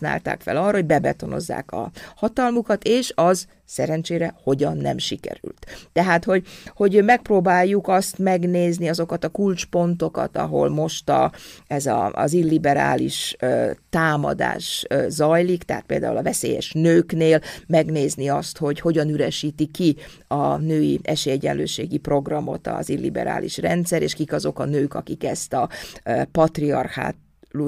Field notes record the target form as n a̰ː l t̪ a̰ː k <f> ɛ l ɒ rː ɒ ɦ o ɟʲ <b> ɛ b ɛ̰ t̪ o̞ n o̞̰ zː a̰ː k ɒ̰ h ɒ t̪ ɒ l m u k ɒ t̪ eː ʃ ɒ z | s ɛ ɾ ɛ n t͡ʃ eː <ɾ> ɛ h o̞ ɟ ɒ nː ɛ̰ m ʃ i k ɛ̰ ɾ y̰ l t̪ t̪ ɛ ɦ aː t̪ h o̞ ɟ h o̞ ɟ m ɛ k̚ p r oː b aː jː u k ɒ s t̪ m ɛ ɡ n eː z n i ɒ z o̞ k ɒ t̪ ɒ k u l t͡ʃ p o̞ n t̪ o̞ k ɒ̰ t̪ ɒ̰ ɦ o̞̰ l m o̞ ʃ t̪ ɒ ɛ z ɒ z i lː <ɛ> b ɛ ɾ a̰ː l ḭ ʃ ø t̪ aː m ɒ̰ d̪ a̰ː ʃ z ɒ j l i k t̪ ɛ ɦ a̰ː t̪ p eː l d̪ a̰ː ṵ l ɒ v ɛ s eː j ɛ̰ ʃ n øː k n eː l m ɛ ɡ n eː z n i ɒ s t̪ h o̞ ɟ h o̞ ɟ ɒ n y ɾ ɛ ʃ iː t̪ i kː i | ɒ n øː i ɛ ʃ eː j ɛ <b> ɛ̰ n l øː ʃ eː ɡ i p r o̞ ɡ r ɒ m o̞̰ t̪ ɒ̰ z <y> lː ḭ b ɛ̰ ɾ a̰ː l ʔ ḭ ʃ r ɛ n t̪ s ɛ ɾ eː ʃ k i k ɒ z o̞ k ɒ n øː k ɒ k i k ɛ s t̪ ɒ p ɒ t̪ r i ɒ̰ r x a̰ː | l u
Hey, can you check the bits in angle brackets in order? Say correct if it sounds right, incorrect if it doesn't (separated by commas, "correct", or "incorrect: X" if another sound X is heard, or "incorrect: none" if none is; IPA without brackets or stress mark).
correct, correct, correct, incorrect: i, incorrect: ɟ, incorrect: i